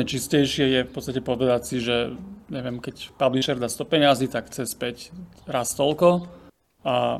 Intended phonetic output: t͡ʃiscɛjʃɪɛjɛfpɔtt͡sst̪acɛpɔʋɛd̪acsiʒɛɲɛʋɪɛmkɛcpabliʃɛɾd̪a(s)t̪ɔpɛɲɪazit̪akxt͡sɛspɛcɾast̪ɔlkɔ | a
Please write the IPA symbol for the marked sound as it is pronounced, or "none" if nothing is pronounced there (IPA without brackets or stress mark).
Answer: s